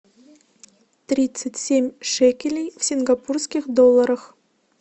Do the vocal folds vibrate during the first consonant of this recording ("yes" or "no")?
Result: no